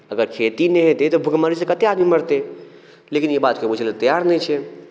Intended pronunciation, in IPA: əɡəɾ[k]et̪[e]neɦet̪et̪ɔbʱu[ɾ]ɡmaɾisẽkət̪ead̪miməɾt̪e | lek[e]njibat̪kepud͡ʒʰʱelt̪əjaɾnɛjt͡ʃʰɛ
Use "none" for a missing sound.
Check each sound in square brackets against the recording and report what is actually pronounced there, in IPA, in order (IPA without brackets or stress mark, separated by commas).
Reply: kʰ, i, none, i